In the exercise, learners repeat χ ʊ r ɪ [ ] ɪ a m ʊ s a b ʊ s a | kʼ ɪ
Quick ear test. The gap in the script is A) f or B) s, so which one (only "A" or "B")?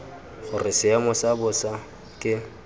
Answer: B